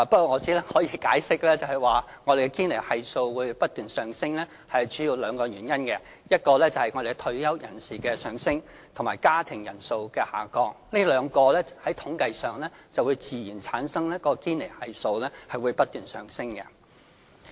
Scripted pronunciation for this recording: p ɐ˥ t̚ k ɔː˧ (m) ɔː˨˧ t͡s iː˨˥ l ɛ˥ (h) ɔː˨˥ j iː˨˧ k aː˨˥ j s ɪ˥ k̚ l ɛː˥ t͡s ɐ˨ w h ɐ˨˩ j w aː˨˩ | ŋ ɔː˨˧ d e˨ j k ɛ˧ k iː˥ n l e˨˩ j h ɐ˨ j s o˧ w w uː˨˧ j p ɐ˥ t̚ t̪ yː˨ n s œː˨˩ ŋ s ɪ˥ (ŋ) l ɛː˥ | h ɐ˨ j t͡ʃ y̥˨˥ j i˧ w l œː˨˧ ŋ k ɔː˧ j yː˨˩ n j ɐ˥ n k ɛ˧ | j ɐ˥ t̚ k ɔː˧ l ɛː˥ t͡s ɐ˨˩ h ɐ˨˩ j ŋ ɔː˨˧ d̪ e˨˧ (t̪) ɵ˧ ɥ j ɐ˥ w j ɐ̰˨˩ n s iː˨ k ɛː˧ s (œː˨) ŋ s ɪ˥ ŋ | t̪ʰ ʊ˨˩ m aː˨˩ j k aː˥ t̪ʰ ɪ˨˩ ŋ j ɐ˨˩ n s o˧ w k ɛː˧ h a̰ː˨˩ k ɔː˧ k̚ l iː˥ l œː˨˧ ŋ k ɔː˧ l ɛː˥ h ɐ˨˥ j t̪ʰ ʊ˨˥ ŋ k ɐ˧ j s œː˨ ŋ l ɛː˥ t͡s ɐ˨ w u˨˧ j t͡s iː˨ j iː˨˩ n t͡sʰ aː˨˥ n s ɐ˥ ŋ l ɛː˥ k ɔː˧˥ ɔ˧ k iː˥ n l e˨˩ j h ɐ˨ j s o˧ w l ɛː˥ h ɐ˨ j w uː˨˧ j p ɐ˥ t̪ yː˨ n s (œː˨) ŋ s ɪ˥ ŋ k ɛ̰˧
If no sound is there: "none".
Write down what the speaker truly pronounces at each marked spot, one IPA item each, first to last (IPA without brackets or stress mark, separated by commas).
ŋ, h, ŋ, t̪ʰ, œː˨, œː˨